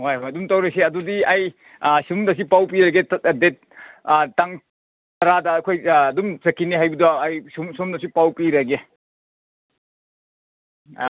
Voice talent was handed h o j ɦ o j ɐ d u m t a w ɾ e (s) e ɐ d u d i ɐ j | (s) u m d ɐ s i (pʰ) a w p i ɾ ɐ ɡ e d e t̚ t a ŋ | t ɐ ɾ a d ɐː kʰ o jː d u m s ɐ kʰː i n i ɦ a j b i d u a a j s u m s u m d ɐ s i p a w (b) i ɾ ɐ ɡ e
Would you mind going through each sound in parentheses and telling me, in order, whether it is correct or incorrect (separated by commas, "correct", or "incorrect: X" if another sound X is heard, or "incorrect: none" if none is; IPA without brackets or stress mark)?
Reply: correct, correct, incorrect: p, incorrect: p